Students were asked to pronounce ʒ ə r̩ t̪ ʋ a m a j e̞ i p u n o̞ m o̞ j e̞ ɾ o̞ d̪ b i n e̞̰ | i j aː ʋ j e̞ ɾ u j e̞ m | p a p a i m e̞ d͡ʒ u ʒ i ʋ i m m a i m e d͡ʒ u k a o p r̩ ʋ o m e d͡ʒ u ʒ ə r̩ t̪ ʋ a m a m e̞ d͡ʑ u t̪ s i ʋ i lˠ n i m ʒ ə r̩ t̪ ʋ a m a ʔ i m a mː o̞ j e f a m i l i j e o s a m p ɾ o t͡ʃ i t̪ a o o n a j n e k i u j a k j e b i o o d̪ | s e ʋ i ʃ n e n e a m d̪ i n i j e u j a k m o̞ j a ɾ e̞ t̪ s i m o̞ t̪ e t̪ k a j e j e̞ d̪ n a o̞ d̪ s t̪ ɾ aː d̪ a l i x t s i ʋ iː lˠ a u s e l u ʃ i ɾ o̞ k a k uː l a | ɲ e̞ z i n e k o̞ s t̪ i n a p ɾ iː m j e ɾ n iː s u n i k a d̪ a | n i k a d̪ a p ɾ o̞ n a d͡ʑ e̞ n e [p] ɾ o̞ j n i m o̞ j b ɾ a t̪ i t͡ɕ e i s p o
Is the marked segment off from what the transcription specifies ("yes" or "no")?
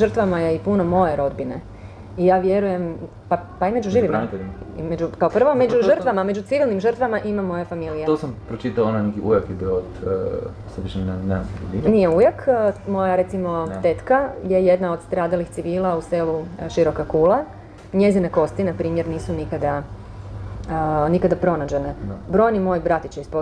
yes